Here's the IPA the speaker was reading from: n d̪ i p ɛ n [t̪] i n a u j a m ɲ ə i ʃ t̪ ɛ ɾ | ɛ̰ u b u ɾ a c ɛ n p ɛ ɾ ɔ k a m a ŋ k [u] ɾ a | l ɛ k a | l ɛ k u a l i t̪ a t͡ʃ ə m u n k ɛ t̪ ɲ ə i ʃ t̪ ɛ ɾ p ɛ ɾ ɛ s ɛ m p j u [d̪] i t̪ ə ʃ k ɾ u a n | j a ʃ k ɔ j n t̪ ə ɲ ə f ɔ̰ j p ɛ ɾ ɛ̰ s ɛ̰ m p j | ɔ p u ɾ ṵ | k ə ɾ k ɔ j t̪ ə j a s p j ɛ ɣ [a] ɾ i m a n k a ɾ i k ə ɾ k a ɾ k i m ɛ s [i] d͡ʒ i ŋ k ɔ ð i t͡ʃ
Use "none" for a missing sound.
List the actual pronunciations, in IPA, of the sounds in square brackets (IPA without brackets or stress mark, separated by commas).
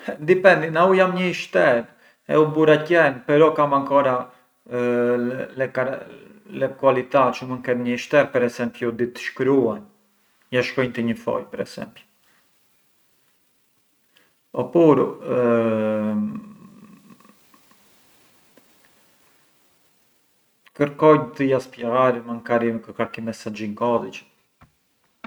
d̪, ɔ, d̪, a, a